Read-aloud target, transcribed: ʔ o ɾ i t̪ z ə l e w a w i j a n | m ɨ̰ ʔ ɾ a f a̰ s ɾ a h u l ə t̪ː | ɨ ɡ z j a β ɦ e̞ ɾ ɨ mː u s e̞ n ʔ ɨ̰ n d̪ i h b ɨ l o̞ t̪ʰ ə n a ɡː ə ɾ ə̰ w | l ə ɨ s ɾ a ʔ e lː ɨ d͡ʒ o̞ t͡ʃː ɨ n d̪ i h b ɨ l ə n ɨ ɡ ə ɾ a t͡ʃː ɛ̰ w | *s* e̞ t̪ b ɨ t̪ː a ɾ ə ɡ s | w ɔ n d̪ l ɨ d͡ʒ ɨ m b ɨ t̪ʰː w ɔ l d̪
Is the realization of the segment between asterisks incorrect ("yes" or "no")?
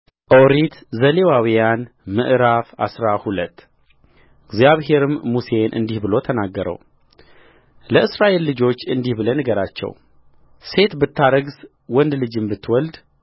no